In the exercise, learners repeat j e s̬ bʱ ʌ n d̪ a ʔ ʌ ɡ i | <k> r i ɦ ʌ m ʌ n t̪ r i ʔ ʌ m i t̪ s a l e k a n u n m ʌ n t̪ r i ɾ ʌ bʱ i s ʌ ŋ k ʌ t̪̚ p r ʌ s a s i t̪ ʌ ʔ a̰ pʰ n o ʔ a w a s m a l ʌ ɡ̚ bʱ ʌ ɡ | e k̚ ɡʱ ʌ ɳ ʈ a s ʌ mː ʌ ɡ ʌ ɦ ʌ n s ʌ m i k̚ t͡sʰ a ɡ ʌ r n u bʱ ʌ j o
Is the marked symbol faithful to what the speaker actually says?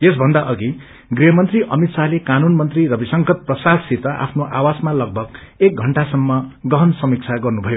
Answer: no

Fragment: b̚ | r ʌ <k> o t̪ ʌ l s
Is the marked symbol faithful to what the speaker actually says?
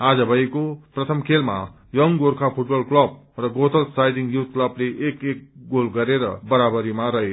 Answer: no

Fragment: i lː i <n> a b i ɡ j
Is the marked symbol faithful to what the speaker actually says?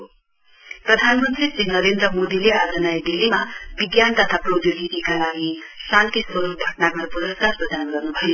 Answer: no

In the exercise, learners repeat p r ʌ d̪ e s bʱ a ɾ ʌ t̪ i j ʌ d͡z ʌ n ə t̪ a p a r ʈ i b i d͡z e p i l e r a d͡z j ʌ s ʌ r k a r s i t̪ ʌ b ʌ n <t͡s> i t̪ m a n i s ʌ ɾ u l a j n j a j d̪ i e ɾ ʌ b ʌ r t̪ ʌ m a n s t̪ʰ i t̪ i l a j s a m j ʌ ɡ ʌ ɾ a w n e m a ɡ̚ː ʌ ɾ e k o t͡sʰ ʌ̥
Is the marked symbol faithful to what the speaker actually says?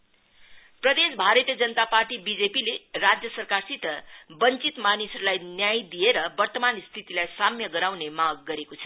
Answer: yes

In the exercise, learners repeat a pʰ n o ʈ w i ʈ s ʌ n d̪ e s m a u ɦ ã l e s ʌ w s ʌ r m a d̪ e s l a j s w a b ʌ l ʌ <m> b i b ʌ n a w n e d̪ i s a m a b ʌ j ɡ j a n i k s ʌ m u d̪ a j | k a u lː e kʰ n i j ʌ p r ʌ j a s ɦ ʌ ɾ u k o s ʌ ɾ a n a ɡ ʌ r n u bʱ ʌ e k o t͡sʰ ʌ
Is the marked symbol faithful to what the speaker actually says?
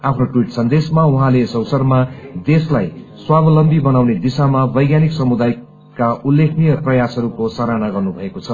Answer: yes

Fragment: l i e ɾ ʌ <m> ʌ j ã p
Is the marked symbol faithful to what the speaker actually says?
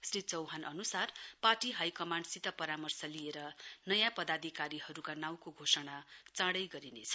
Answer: no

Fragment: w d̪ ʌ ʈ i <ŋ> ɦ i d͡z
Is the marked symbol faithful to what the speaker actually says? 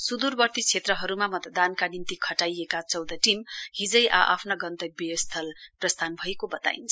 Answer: no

